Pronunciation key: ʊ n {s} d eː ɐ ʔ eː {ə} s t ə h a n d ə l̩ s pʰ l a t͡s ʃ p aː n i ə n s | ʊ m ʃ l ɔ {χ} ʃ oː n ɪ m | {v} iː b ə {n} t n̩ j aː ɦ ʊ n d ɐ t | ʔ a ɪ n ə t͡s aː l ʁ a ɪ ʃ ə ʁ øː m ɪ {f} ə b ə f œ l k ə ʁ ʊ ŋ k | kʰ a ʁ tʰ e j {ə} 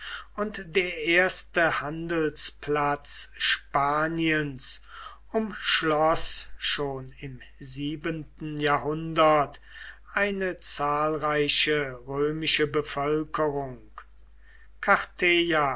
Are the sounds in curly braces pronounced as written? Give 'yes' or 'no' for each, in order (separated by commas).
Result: no, no, no, no, yes, no, no